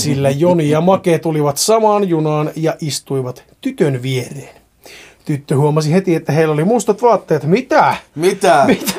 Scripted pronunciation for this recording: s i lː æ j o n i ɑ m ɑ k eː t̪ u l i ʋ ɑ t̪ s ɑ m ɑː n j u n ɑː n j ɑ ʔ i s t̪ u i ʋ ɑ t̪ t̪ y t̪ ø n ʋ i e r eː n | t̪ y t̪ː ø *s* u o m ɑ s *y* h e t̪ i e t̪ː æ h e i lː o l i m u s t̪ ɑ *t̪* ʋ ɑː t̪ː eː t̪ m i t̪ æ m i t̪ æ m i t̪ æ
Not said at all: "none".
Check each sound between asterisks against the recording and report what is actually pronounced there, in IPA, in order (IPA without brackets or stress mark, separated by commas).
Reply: h, i, t̪